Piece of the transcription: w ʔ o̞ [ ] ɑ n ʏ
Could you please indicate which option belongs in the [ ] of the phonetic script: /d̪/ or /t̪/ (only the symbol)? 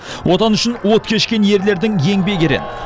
t̪